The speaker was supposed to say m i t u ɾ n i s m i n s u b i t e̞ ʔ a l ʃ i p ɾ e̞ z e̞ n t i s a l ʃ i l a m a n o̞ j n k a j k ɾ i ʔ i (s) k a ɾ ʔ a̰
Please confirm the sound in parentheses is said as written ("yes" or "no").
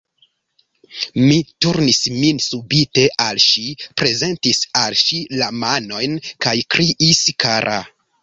yes